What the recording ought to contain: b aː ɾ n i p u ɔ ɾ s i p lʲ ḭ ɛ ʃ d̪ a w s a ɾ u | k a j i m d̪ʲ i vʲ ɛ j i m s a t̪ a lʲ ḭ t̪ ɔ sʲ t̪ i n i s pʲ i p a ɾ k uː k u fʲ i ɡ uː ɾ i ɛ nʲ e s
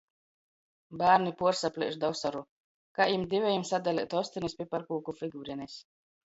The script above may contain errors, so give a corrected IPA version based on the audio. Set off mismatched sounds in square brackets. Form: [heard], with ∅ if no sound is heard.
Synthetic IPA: b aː ɾ n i p u ɔ ɾ s [a] p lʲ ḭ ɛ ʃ d̪ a w s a ɾ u | k a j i m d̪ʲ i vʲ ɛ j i m s a [d̪] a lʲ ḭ t̪ ɔ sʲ t̪ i n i s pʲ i p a ɾ k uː k u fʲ i ɡ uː ɾ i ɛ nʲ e s